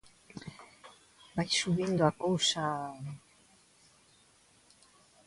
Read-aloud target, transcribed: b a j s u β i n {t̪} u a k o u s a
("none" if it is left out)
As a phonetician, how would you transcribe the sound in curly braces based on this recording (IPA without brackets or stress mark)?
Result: d̪